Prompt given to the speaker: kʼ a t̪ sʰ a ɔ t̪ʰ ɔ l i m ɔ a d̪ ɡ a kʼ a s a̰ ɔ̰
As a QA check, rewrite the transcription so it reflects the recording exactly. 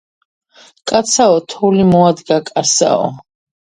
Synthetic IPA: kʼ a t̪ sʰ a ɔ t̪ʰ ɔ l i m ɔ a d̪ ɡ a kʼ a s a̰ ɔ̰